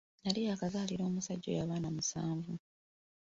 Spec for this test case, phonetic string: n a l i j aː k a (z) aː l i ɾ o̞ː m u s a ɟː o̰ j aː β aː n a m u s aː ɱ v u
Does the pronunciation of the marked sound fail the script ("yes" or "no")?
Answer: no